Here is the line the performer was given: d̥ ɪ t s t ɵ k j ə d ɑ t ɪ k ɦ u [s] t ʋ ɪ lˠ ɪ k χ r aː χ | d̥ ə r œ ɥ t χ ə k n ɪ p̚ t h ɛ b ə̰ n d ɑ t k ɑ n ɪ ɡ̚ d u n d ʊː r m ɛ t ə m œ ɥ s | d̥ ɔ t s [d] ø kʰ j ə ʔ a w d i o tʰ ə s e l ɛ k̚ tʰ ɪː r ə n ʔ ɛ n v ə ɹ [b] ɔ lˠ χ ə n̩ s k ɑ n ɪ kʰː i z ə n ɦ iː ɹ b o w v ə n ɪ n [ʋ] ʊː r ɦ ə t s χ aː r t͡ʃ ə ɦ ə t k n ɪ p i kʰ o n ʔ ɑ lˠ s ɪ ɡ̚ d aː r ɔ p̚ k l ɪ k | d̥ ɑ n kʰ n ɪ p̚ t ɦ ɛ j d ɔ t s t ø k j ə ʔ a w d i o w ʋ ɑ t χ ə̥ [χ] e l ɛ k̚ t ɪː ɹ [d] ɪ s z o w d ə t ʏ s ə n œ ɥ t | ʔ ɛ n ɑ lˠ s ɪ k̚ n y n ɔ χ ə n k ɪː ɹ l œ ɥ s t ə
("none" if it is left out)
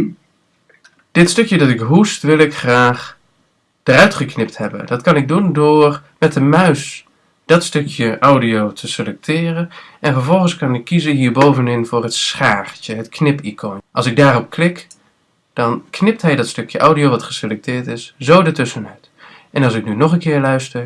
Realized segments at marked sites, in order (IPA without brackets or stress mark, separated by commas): s, t, v, v, s, t